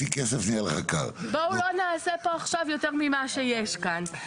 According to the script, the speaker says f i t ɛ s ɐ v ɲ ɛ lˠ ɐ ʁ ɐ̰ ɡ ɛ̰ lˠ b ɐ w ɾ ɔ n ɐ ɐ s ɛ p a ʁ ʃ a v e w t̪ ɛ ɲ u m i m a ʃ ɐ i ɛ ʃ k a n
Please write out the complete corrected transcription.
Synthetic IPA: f i k ɛ s ɐ v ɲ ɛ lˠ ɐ ʁ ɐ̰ k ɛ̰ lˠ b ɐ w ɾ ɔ n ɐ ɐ s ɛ p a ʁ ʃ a v e w t̪ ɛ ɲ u m i m a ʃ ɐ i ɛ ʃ k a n